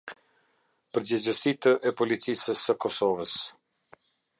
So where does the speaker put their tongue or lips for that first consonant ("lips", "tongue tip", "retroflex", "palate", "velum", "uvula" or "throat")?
lips